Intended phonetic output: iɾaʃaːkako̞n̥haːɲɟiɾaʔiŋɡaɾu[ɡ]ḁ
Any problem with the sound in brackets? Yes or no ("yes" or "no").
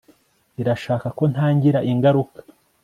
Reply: yes